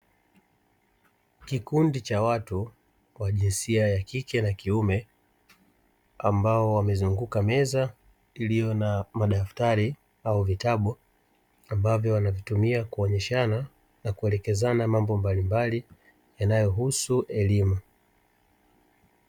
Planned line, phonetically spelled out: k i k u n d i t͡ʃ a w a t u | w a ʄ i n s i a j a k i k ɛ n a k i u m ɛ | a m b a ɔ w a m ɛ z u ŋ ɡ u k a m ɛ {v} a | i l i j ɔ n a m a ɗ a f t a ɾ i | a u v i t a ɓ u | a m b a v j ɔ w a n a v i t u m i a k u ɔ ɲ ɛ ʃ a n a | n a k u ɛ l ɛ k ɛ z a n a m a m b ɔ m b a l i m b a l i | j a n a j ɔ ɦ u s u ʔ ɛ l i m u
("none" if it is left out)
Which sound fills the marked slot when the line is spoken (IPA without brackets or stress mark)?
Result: z